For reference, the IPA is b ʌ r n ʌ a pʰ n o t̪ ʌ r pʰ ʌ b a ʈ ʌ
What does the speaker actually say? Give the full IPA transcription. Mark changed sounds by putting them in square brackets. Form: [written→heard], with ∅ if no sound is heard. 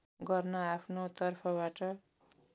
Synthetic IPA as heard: [b→ɡ] ʌ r n ʌ a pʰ n o t̪ ʌ r pʰ ʌ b a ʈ ʌ